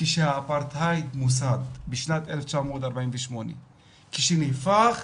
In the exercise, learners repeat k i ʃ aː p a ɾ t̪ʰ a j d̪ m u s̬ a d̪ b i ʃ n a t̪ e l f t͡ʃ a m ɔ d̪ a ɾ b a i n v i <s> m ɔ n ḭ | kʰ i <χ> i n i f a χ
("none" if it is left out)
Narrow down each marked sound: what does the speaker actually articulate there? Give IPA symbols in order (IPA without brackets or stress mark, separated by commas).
ʃ, ʃ